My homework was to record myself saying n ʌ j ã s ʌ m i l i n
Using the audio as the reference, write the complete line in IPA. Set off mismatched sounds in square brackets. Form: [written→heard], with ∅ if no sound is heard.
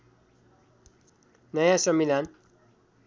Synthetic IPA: n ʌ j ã s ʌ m i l [i→a] n